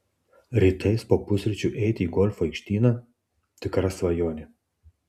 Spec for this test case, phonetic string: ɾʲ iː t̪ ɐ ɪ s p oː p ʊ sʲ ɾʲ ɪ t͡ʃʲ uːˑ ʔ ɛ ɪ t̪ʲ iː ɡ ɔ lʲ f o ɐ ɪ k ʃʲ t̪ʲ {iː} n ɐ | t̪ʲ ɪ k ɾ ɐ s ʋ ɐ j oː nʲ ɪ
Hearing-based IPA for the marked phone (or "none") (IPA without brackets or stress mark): iː